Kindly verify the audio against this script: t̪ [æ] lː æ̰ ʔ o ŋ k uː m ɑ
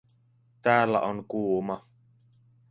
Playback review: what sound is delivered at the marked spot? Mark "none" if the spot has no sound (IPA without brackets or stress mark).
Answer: æː